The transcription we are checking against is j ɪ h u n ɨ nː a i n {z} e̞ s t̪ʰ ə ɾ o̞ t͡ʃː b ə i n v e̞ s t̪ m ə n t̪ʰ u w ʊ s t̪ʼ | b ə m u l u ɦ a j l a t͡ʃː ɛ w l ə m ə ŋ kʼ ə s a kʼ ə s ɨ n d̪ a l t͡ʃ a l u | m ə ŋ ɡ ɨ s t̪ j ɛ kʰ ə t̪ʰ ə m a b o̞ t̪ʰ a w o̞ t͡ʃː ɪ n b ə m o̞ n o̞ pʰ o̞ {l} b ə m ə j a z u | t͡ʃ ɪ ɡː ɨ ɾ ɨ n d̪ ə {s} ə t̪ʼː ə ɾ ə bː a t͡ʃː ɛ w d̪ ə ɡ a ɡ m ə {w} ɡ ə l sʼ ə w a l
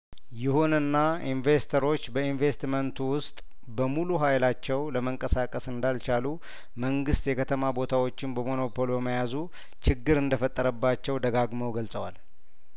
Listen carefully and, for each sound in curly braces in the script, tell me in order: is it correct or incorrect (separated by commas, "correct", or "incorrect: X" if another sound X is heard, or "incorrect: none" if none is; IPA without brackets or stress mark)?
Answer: incorrect: v, correct, incorrect: f, correct